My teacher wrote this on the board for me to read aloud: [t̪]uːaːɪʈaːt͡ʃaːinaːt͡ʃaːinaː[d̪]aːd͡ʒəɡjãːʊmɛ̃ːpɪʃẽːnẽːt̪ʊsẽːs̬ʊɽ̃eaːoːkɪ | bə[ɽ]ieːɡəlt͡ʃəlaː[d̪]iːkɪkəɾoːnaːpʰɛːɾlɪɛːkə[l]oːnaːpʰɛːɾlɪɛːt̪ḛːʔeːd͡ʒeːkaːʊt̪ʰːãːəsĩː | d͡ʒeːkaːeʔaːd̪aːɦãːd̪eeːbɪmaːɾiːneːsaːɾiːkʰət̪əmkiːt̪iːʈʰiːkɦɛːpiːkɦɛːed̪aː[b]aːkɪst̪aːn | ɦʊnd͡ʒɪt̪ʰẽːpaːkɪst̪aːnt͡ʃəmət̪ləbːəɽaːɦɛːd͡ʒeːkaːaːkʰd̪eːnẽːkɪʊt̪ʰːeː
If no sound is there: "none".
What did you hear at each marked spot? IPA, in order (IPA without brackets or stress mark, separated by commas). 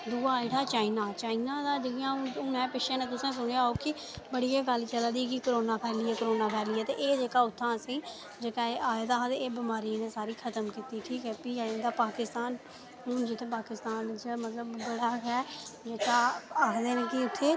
d̪, d̪, ɽ, d̪, ɾ, p